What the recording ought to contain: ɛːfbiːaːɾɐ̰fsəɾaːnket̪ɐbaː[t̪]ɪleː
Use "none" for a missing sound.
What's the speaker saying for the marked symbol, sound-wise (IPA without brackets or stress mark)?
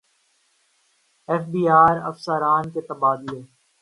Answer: d̪